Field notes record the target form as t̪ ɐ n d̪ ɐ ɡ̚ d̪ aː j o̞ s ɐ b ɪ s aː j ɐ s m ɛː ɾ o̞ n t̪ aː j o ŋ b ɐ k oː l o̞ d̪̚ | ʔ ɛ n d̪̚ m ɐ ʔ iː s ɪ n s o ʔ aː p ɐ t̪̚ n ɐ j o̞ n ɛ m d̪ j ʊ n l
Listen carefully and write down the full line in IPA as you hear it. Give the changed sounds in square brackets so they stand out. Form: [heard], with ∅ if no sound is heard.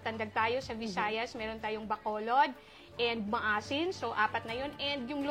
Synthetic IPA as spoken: t̪ ɐ n d̪ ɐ ɡ̚ [t̪] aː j o̞ s ɐ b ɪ s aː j ɐ s m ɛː ɾ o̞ n t̪ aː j o ŋ b ɐ k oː l o̞ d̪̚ | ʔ ɛ n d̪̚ m ɐ ʔ [aː] s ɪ n s o ʔ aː p ɐ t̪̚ n ɐ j o̞ n ɛ [n] d̪ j ʊ [ŋ] l